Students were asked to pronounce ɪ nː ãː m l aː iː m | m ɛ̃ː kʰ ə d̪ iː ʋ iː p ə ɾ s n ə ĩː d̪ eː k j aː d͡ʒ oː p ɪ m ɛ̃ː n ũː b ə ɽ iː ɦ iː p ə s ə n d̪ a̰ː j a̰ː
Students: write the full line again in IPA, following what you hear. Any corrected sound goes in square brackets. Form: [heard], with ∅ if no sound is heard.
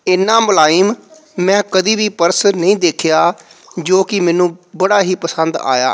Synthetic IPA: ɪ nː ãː m l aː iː m | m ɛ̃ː [k] ə d̪ iː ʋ iː p ə ɾ s n ə ĩː d̪ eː [kʰ] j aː d͡ʒ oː [k] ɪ m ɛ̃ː n ũː b ə ɽ [aː] ɦ iː p ə s ə n d̪ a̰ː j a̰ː